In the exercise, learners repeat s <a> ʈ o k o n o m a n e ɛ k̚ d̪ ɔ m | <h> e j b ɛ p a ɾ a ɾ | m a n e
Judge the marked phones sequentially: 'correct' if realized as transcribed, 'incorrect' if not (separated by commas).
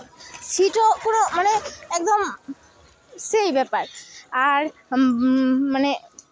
incorrect, incorrect